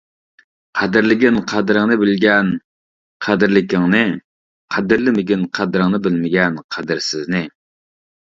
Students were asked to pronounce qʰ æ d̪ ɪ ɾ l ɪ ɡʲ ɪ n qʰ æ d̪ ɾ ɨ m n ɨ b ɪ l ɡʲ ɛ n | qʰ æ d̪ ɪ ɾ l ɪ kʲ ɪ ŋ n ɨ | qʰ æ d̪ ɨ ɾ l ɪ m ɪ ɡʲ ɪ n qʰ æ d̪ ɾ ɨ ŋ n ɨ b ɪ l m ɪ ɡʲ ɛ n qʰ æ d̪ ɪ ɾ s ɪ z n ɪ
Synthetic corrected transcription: qʰ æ d̪ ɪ ɾ l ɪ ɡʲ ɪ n qʰ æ d̪ ɾ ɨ ŋ n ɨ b ɪ l ɡʲ ɛ n | qʰ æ d̪ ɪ ɾ l ɪ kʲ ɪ ŋ n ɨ | qʰ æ d̪ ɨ ɾ l ɪ m ɪ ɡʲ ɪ n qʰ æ d̪ ɾ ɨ ŋ n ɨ b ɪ l m ɪ ɡʲ ɛ n qʰ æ d̪ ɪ ɾ s ɪ z n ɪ

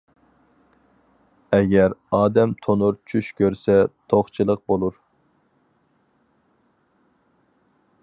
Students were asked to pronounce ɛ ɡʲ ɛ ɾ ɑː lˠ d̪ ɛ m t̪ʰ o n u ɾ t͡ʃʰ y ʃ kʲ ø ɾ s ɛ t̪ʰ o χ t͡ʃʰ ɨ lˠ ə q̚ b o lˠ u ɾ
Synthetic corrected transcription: ɛ ɡʲ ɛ ɾ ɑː d̪ ɛ m t̪ʰ o n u ɾ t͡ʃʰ y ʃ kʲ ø ɾ s ɛ t̪ʰ o χ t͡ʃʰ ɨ lˠ ə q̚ b o lˠ u ɾ

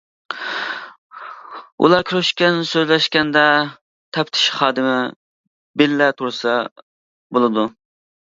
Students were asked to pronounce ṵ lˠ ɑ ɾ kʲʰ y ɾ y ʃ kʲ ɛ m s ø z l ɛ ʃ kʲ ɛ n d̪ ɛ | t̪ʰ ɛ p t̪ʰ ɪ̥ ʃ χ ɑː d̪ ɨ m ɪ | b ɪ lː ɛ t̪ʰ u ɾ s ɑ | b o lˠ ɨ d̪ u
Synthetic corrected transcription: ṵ lˠ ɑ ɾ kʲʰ y ɾ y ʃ kʲ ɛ n s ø z l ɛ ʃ kʲ ɛ n d̪ ɛ | t̪ʰ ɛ p t̪ʰ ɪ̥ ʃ χ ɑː d̪ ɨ m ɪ | b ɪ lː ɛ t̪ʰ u ɾ s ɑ | b o lˠ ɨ d̪ u

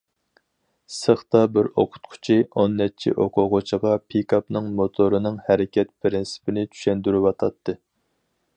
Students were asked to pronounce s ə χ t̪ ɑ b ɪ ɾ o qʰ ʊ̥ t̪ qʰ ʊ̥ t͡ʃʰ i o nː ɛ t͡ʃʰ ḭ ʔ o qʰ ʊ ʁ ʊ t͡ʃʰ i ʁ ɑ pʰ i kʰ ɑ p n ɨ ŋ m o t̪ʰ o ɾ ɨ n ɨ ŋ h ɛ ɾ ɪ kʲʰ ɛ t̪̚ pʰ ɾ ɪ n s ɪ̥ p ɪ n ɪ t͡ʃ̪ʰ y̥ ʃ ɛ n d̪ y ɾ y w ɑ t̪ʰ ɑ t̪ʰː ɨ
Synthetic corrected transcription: s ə χ t̪ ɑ b ɪ ɾ o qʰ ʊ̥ t̪ qʰ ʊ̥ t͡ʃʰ i o nː ɛ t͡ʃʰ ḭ ʔ o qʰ ʊ ʁ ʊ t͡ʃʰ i ʁ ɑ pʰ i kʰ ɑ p n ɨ ŋ m o t̪ʰ o ɾ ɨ n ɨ ŋ h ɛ ɾ ɪ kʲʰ ɛ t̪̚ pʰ ɾ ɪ n s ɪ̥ p ɪ n ɪ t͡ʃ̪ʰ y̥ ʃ ɛ n d̪ y ɾ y w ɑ t̪ʰ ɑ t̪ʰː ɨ

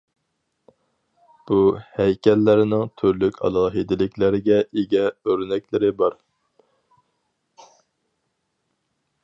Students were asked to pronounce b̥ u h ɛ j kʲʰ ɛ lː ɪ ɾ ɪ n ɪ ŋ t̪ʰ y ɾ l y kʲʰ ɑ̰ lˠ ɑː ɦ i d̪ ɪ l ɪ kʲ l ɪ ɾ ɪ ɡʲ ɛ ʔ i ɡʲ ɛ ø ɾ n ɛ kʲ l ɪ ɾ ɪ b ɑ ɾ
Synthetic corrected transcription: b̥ u h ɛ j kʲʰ ɛ lː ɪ ɾ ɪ n ɪ ŋ t̪ʰ y ɾ l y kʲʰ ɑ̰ lˠ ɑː ɦ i d̪ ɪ l ɪ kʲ l ɪ ɾ ɪ ɡʲ ɛ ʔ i ɡʲ ɛ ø ɾ n ɛ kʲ l ɪ ɾ ɪ b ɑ ɾ

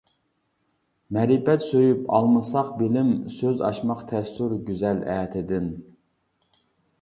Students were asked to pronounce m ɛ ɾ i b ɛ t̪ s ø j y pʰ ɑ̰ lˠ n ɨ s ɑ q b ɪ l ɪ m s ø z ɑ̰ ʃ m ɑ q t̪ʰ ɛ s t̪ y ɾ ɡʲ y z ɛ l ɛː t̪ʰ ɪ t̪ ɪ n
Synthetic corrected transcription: m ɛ ɾ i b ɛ t̪ s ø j y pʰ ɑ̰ lˠ m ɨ s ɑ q b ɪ l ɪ m s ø z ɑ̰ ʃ m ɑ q t̪ʰ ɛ s t̪ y ɾ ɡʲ y z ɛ l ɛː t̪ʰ ɪ d̪ ɪ n

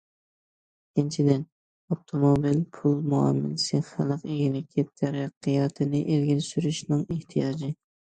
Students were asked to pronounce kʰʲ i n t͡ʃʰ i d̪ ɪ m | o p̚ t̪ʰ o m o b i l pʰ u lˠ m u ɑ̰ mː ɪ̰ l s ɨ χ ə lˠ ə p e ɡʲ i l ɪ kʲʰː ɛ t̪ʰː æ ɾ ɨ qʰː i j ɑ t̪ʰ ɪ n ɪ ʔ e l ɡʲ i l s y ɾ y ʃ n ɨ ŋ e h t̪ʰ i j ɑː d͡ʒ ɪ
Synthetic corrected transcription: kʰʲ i n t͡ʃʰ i d̪ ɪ n | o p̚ t̪ʰ o m o b i l pʰ u lˠ m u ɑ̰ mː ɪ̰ l s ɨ χ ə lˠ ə q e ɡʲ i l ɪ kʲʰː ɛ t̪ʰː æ ɾ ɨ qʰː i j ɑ t̪ʰ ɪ n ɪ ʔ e l ɡʲ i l s y ɾ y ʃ n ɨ ŋ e h t̪ʰ i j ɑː d͡ʒ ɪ

